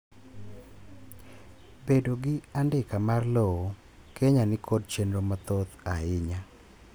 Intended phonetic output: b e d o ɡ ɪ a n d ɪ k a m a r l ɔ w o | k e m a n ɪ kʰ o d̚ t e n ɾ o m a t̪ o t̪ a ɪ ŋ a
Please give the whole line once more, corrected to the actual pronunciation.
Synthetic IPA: b e d o ɡ ɪ a n d ɪ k a m a r l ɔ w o | k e ɲ a n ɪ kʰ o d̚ t͡ʃ e n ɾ o m a t̪ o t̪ a ɪ ɲ a